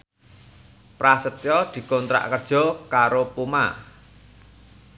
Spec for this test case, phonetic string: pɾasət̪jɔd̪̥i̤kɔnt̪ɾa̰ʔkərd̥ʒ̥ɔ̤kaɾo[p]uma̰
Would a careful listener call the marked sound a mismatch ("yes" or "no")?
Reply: no